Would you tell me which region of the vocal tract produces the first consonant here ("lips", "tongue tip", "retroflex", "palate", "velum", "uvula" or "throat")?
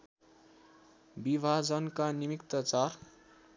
lips